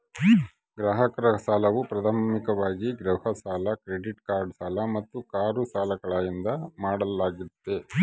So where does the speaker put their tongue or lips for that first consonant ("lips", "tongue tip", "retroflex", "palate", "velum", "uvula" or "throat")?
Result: velum